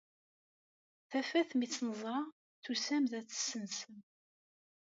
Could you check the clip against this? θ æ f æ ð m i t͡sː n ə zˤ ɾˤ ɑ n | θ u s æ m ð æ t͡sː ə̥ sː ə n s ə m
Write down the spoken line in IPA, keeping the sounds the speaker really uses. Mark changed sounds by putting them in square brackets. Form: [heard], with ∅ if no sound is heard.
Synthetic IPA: θ æ f æ [θ] m i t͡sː n ə zˤ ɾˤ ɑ [∅] | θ u s æ m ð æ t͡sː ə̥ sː ə n s ə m